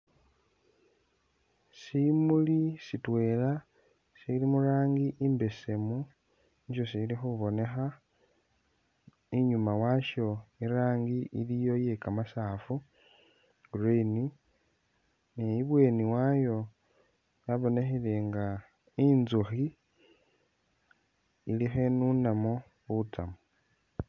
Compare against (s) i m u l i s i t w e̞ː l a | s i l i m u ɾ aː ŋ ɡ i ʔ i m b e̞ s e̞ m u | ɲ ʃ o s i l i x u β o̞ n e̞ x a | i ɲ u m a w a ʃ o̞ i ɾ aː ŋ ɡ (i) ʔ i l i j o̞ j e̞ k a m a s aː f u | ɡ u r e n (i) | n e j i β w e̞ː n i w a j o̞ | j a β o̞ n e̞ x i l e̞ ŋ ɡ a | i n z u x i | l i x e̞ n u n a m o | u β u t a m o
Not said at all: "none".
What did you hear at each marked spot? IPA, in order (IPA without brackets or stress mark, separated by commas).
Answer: s, i, i